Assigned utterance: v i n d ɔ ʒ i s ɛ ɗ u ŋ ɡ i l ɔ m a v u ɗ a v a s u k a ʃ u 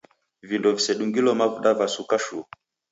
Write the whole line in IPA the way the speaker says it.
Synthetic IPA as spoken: v i n d ɔ v i s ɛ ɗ u ŋ ɡ i l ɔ m a v u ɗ a v a s u k a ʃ u